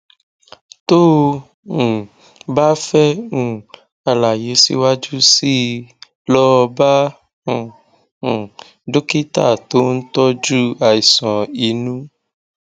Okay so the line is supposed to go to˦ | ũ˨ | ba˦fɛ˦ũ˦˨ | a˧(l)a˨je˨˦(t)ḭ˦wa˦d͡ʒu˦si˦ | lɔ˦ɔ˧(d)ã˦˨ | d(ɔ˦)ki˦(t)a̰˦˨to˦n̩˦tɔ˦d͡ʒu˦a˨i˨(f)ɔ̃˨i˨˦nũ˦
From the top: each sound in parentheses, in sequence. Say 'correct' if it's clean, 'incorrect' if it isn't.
correct, incorrect: s, incorrect: b, incorrect: o˦, correct, incorrect: s

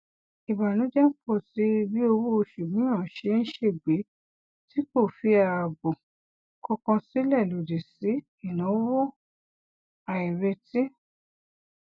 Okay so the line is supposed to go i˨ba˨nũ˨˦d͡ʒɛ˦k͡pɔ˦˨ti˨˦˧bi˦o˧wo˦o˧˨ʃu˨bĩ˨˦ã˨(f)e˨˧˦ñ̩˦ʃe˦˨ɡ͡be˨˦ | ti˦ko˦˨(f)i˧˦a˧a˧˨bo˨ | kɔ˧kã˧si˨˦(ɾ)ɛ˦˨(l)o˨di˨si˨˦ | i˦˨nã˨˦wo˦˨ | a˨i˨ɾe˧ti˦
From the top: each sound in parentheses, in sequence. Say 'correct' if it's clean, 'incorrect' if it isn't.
incorrect: ʃ, correct, incorrect: l, correct

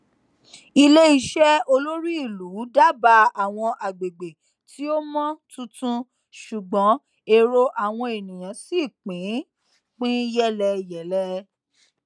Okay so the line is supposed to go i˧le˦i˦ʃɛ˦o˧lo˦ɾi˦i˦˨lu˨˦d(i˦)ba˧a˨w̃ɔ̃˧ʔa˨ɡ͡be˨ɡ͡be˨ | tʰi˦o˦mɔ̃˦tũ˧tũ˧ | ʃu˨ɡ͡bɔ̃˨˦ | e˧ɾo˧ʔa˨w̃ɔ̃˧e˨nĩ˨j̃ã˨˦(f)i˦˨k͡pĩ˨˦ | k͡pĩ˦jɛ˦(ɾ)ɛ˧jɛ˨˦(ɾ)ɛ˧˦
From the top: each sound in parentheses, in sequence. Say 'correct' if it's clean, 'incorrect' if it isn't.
incorrect: a˦, incorrect: s, incorrect: l, incorrect: l

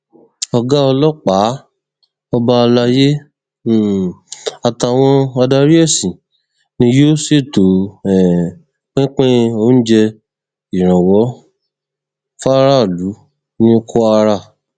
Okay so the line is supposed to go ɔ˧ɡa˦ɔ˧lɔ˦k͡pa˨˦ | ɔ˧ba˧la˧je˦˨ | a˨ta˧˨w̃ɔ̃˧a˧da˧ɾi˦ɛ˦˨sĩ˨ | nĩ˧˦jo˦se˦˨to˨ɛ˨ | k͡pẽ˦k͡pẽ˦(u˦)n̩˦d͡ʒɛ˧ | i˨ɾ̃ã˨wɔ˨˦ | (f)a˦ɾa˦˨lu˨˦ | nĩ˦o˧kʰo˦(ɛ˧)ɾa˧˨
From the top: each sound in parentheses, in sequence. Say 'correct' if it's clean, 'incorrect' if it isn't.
incorrect: o˦, correct, incorrect: a˧

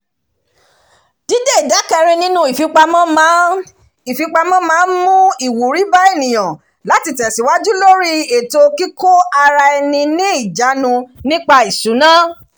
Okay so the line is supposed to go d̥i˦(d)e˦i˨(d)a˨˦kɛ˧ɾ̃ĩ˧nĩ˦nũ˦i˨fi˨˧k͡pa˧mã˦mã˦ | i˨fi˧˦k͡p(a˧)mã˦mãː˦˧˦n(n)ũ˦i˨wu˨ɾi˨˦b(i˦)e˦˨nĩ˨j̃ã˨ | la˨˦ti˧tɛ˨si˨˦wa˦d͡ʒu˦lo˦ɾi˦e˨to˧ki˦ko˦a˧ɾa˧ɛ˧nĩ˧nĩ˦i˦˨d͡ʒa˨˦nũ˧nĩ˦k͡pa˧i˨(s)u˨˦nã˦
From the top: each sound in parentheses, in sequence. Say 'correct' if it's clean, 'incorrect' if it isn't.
correct, correct, correct, incorrect: m, incorrect: a˦, correct

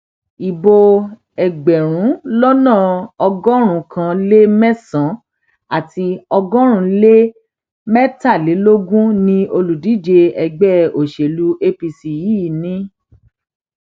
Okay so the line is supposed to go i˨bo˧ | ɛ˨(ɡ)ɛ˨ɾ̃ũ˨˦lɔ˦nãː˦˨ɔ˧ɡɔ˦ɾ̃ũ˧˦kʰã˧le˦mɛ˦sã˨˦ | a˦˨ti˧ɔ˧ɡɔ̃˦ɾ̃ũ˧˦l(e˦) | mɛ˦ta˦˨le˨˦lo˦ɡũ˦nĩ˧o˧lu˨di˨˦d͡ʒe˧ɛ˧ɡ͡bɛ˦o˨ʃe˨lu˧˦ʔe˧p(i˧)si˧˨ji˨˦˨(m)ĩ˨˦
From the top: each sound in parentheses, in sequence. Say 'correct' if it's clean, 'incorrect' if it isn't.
incorrect: ɡ͡b, correct, correct, incorrect: n

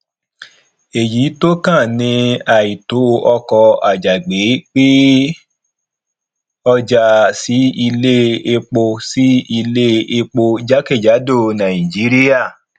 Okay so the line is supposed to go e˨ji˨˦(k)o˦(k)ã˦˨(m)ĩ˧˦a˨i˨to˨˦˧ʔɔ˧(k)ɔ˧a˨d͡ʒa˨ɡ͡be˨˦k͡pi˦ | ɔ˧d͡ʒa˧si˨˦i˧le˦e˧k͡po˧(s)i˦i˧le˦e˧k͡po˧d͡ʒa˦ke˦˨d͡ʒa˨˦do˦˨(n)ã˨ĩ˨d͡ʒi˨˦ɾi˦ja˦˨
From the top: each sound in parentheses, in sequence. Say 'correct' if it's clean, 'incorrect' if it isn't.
incorrect: t, correct, incorrect: n, correct, correct, correct

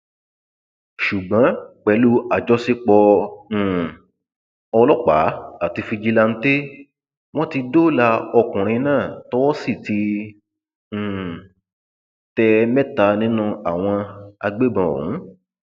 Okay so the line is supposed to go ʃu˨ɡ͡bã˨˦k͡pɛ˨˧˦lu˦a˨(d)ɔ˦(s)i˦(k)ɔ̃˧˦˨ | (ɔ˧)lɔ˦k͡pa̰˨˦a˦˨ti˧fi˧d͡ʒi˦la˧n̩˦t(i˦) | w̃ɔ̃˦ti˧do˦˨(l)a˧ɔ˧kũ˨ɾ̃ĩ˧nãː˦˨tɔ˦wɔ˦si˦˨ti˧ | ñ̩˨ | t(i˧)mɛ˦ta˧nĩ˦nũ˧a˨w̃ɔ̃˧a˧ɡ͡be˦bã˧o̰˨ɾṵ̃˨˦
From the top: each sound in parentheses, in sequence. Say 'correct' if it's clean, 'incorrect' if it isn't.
incorrect: d͡ʒ, correct, incorrect: k͡p, correct, incorrect: e˦, correct, incorrect: ɛ˧

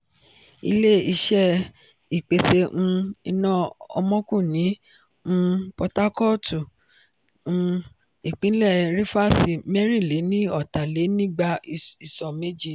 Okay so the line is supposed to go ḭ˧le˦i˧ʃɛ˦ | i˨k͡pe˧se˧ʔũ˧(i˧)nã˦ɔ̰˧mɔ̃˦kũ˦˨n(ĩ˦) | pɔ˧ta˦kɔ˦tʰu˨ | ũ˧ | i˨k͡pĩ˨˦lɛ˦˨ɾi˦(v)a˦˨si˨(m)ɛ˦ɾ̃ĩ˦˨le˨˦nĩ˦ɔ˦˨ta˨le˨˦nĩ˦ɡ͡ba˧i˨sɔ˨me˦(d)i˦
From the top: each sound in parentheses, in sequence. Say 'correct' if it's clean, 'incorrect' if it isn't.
correct, incorrect: ĩ˨˦˧, incorrect: f, correct, incorrect: d͡ʒ

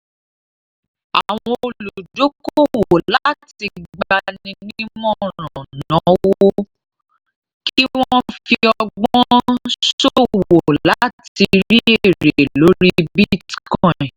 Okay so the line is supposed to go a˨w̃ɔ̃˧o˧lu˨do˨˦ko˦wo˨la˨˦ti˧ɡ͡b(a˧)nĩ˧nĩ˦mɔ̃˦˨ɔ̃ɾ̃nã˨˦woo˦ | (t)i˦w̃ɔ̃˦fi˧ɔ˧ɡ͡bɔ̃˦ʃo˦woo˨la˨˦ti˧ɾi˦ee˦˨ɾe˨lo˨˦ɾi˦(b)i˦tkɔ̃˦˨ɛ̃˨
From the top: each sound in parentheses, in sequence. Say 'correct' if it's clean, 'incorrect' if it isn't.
correct, incorrect: k, correct

